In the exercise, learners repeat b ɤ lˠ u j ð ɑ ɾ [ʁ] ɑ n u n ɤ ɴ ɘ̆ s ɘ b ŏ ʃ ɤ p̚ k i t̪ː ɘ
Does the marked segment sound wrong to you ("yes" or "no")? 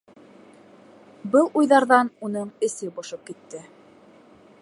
yes